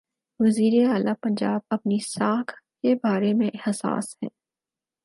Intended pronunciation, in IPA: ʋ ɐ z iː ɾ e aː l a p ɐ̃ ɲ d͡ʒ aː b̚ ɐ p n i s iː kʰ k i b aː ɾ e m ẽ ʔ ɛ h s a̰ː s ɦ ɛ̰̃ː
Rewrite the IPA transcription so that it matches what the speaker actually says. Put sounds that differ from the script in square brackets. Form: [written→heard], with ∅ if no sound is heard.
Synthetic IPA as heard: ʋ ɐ z iː ɾ e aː l a p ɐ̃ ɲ d͡ʒ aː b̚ ɐ p n i s [iː→aː] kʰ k [i→e] b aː ɾ e m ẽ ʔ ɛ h s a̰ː s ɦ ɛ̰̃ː